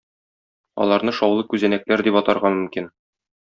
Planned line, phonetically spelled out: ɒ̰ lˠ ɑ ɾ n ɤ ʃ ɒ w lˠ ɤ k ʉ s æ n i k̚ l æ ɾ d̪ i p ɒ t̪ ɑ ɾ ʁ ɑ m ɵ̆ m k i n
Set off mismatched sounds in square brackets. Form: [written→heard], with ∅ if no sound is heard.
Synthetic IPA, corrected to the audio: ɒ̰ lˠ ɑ ɾ n ɤ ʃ ɒ w lˠ ɤ k ʉ [s→z] æ n [i→æ] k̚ l æ ɾ d̪ i p ɒ t̪ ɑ ɾ ʁ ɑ m ɵ̆ m k i n